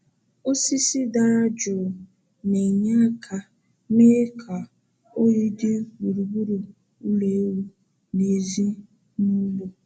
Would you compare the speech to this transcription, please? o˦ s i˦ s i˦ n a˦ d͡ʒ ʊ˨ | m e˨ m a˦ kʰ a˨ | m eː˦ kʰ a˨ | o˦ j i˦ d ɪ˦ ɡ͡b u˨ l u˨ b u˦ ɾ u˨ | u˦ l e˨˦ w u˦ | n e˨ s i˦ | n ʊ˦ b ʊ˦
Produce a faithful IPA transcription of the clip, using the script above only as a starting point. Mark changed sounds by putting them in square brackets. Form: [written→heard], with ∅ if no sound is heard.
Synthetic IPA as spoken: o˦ s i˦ s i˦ [n→d] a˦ d͡ʒ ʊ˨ | [m→n] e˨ [m→ɲ] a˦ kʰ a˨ | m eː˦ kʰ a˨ | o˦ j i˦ d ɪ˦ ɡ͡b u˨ [l→ɾ] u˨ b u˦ ɾ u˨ | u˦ l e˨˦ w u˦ | n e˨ [s→z] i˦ | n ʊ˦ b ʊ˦